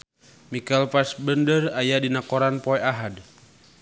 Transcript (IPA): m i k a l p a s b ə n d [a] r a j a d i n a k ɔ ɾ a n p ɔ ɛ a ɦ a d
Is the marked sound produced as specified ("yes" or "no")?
no